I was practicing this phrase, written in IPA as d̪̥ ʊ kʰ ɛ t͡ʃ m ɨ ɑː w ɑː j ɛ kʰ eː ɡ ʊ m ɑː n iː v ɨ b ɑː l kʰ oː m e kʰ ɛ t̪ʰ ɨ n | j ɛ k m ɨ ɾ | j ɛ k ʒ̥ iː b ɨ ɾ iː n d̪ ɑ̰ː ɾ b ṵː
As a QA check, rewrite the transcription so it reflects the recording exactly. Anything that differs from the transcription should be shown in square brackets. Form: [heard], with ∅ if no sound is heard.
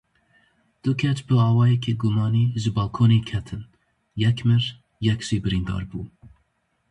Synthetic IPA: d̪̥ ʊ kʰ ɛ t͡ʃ [b] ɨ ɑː w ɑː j ɛ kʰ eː ɡ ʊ m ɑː n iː [ʒ] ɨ b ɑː l kʰ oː [n] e kʰ ɛ t̪ʰ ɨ n | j ɛ k m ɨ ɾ | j ɛ k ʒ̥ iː b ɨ ɾ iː n d̪ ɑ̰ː ɾ b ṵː